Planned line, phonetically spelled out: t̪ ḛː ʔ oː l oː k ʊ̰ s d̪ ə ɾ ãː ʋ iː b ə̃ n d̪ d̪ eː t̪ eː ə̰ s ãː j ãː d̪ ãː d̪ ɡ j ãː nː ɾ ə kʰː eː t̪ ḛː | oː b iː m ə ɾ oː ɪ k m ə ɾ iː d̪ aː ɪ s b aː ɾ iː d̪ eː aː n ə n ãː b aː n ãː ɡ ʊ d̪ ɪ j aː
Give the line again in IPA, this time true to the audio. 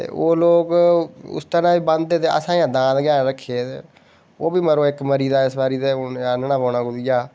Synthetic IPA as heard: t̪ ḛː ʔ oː l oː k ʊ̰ s t̪ ə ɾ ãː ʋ iː b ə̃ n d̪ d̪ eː t̪ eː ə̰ s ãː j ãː d̪ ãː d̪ ɡ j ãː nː ɾ ə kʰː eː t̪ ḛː | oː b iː m ə ɾ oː ɪ k m ə ɾ iː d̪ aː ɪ s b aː ɾ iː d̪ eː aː n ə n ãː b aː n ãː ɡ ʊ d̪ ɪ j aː